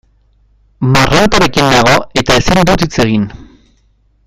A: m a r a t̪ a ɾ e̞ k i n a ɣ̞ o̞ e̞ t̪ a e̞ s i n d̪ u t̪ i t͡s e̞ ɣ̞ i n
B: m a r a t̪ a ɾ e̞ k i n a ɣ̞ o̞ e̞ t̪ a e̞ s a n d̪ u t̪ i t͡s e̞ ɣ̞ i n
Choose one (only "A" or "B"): A